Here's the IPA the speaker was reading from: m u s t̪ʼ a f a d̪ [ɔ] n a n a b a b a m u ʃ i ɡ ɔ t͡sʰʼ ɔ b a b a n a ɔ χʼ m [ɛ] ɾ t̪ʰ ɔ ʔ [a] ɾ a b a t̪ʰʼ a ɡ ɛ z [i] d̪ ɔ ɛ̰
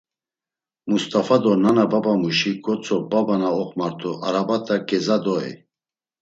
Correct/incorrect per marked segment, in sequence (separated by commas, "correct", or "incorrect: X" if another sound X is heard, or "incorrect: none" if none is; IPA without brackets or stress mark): correct, incorrect: a, correct, incorrect: a